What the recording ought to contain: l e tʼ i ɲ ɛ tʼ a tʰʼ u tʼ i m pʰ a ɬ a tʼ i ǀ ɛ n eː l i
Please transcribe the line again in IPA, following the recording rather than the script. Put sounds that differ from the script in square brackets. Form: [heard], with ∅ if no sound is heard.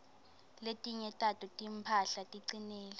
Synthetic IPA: l e tʼ i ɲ ɛ tʼ a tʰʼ u tʼ i m pʰ a ɬ a tʼ i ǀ [i] n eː l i